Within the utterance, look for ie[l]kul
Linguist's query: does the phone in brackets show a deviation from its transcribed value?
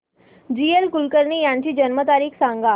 no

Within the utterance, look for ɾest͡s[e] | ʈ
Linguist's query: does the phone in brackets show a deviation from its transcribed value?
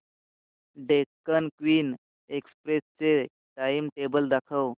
no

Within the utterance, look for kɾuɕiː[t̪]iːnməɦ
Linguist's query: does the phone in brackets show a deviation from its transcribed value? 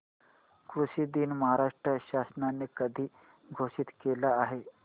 yes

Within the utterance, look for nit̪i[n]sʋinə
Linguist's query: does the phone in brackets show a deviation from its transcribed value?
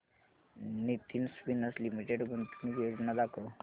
no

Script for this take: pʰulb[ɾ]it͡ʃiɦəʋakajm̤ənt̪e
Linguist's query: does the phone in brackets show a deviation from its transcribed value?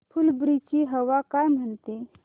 no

